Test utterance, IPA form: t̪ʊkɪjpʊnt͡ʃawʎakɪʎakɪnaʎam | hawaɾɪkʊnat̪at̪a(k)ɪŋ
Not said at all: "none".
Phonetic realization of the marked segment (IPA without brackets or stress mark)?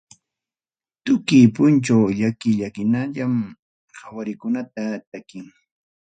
k